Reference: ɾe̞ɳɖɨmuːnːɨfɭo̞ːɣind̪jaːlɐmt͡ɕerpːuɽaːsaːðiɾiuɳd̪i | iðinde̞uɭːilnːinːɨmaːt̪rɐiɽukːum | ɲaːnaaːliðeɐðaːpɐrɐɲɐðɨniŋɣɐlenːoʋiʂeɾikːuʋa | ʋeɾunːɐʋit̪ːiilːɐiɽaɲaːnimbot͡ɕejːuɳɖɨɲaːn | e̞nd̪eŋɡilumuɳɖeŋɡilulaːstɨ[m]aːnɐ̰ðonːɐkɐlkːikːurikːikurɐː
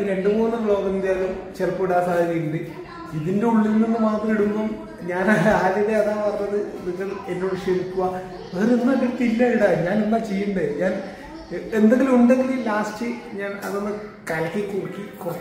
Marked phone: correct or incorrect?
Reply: incorrect